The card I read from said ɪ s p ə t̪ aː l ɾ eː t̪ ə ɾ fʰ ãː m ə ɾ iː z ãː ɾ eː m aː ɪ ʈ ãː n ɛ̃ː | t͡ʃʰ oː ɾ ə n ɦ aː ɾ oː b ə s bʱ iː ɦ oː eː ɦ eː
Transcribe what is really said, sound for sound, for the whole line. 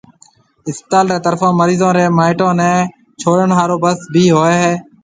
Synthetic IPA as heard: ɪ s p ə t̪ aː l ɾ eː t̪ ə ɾ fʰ ãː m ə ɾ iː z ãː ɾ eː m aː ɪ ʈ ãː n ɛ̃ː | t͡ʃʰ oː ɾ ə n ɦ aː ɾ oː b ə s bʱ iː ɦ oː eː ɦ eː